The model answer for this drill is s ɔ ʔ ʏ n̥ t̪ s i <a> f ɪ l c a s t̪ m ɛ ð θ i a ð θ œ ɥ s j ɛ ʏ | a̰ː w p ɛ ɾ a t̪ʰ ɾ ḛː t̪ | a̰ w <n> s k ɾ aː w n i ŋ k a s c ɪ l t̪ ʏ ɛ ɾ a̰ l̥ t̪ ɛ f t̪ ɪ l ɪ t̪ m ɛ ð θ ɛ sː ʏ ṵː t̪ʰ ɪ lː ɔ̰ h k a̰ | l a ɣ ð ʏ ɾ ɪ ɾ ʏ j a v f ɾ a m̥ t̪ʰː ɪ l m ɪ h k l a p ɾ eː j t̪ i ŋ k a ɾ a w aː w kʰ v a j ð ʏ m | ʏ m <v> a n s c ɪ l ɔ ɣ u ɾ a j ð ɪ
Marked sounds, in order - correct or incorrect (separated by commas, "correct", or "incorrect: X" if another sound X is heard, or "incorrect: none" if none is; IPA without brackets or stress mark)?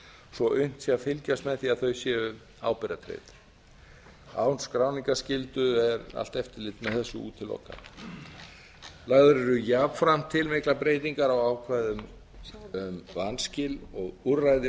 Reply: correct, correct, correct